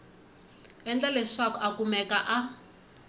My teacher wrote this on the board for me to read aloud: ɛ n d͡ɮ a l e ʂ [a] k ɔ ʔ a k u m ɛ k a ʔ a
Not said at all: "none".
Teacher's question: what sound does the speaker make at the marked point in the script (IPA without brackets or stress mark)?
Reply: a